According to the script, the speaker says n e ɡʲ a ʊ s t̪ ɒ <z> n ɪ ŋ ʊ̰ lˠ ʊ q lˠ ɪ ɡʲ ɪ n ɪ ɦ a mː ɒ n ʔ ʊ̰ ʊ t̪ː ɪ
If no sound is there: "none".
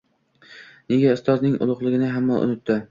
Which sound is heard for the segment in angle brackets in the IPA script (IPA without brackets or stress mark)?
z